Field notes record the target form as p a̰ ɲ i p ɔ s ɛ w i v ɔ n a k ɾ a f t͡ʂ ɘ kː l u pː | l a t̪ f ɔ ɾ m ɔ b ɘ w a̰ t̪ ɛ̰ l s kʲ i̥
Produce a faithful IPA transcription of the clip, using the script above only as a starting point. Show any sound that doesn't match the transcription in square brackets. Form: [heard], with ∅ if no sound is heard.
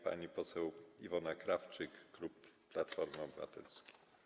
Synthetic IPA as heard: p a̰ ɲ i p ɔ s ɛ w i v ɔ n a k ɾ a f t͡ʂ ɘ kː l u pː | l a t̪ f ɔ ɾ m ɔ b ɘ [v] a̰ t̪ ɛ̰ l s kʲ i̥